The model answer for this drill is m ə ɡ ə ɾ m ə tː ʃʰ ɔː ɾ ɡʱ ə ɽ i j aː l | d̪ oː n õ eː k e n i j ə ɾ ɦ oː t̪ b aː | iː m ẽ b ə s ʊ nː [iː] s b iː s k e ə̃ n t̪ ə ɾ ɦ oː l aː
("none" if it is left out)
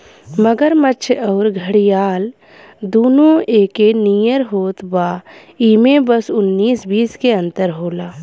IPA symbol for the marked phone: iː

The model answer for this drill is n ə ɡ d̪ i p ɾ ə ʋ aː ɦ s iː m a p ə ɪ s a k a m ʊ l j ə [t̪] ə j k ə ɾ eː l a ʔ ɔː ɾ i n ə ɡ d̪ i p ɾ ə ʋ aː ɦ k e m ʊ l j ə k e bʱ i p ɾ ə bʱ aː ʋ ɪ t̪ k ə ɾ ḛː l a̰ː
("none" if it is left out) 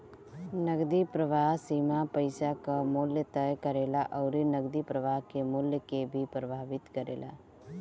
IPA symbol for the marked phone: t̪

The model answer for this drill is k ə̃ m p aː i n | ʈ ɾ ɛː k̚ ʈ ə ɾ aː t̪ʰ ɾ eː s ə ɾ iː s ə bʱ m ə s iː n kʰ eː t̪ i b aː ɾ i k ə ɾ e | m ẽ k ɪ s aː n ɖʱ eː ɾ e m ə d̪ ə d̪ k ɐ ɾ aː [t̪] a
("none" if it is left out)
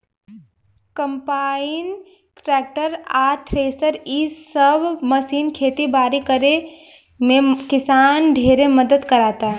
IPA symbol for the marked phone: t̪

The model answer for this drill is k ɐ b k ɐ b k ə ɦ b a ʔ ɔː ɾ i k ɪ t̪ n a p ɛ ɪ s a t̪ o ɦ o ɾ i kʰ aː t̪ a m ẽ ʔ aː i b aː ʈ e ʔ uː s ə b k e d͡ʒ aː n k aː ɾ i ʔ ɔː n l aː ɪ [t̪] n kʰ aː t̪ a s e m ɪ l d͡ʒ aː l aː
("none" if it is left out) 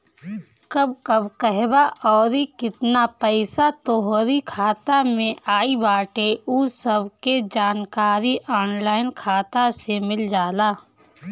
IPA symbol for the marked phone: none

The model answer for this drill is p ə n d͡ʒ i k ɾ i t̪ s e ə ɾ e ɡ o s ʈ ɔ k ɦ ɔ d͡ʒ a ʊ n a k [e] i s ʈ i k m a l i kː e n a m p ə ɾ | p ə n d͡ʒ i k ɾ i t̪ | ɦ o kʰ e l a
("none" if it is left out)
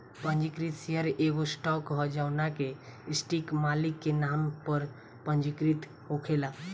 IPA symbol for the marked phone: e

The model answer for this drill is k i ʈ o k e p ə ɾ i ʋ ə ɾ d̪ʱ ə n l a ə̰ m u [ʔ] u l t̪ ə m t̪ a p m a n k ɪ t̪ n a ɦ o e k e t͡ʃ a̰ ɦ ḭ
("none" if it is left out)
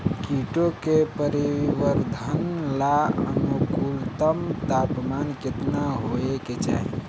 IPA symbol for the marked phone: k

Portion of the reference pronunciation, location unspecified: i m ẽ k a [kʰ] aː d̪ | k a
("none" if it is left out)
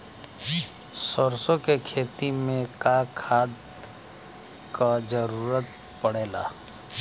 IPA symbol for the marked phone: kʰ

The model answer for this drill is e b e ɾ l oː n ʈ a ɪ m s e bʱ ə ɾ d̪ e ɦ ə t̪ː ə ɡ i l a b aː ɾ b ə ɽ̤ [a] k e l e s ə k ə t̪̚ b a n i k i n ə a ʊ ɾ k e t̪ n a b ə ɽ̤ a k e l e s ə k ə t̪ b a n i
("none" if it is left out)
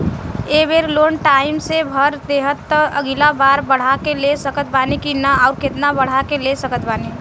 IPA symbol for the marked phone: a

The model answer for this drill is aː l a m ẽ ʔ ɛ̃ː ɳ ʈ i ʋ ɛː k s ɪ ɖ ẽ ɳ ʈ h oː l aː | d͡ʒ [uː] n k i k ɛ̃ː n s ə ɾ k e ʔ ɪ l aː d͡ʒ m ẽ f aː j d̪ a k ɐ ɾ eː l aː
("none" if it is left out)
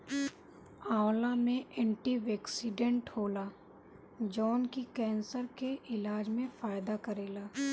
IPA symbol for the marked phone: ɔː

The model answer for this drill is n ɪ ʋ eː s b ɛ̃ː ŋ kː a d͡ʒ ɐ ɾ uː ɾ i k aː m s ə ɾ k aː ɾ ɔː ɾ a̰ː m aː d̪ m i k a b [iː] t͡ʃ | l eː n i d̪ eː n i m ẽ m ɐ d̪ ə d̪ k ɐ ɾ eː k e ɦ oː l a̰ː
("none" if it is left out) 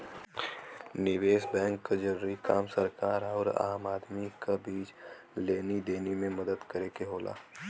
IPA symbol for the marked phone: iː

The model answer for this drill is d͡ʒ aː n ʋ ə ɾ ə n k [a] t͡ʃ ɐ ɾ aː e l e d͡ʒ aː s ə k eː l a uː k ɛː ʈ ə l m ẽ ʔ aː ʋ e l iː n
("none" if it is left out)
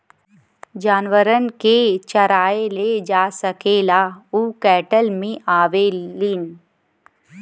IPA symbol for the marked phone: e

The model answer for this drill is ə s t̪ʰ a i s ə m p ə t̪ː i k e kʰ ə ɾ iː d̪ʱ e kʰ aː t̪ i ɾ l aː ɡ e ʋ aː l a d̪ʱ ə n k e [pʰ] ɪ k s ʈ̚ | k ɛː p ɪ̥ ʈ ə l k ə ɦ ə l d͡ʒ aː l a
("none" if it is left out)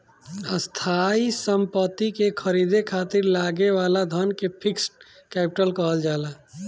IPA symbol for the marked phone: pʰ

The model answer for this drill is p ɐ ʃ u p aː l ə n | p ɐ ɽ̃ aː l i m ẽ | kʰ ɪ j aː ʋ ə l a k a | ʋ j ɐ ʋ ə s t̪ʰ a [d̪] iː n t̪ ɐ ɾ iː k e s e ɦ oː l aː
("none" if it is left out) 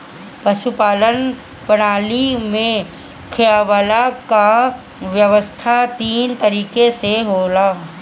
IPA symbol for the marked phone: t̪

